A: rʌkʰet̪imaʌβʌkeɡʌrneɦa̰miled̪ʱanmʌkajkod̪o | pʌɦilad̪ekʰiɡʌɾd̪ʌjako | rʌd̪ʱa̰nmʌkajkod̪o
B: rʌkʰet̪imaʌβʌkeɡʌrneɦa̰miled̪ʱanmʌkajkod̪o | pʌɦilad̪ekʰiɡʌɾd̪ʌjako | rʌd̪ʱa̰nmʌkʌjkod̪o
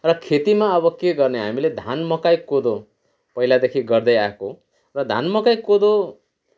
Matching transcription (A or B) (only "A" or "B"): A